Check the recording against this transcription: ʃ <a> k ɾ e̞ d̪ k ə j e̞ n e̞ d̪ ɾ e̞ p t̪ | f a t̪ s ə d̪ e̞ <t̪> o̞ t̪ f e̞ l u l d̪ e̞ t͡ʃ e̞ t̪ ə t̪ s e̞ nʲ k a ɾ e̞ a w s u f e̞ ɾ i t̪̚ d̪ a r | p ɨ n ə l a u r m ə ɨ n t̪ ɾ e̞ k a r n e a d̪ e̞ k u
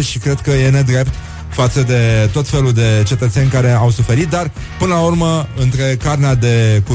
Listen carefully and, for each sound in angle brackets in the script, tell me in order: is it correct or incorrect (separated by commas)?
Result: incorrect, correct